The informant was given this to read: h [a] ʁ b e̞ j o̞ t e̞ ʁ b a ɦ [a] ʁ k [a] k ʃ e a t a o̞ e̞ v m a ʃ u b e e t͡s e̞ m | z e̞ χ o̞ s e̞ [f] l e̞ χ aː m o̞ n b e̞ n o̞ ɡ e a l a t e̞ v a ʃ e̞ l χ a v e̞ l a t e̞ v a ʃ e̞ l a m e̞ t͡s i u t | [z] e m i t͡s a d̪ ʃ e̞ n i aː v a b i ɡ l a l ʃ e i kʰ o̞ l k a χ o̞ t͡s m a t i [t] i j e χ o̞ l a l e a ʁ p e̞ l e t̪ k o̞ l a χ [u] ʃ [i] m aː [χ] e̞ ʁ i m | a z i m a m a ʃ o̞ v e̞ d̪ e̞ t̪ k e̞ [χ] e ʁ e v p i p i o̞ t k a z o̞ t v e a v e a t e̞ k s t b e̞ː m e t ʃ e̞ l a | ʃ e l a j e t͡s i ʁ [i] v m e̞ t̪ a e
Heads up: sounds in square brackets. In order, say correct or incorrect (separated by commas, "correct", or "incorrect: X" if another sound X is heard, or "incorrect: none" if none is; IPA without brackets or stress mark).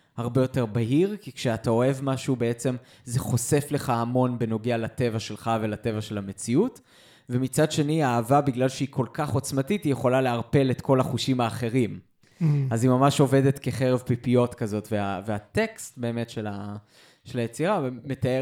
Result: correct, incorrect: i, incorrect: i, correct, incorrect: v, correct, correct, correct, correct, correct, incorrect: a